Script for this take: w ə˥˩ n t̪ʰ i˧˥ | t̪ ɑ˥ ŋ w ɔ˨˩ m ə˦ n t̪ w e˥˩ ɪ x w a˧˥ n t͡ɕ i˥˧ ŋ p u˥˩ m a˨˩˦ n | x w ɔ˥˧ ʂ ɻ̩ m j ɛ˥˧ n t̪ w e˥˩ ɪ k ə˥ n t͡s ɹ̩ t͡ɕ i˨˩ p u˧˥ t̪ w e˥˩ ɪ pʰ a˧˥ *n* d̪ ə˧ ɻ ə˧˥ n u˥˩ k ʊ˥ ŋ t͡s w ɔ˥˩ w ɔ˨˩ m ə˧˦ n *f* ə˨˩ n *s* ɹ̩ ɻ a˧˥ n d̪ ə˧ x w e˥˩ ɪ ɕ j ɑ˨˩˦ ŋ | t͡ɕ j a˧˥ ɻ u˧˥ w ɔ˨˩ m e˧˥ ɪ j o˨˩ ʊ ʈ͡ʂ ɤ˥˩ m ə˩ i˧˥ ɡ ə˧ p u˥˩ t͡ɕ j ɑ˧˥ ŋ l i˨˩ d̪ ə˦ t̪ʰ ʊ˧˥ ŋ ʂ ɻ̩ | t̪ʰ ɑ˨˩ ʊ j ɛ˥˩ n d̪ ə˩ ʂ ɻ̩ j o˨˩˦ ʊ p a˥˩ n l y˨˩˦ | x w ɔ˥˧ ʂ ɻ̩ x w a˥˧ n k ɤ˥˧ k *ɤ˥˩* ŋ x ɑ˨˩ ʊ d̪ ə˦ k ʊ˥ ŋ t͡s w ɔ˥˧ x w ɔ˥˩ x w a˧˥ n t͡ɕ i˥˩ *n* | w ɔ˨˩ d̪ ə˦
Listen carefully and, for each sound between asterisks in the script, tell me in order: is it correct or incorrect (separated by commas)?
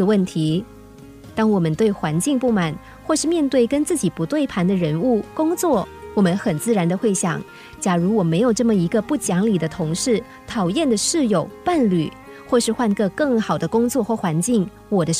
correct, incorrect, incorrect, correct, incorrect